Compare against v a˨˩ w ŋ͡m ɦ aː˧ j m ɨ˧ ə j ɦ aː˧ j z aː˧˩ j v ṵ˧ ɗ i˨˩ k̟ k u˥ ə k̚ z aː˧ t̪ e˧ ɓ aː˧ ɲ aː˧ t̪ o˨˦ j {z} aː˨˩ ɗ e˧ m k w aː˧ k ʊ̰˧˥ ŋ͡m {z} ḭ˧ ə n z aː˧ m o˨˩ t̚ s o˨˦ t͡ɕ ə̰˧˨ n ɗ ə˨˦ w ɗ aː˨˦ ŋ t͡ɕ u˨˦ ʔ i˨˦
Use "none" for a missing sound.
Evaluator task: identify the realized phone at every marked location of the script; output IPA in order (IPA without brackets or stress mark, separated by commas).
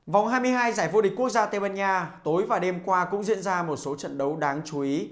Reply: v, z